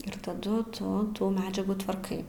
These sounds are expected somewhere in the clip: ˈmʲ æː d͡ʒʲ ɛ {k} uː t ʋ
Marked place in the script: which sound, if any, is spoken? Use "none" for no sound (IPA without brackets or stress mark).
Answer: ɡ